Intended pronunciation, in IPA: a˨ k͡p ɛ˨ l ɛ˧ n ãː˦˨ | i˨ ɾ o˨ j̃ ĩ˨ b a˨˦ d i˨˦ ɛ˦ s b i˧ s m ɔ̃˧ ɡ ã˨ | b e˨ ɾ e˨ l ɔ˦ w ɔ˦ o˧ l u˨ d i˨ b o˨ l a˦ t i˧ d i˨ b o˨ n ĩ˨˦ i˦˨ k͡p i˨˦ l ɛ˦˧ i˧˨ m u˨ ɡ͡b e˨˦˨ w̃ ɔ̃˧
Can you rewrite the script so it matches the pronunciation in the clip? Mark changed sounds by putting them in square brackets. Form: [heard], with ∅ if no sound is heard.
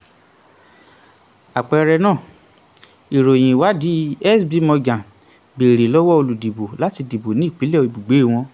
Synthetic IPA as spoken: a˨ k͡p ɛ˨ [ɾ] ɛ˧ n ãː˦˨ | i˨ ɾ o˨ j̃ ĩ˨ [w] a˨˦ d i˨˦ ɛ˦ s b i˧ [∅] m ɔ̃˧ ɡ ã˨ | b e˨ ɾ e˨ l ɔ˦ w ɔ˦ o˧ l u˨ d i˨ b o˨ l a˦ t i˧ d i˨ b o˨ n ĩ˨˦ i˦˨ k͡p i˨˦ l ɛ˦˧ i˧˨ [b] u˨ ɡ͡b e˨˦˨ w̃ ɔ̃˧